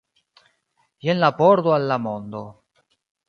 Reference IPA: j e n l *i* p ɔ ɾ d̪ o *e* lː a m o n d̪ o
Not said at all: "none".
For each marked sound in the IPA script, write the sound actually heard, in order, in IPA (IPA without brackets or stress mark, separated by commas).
a, a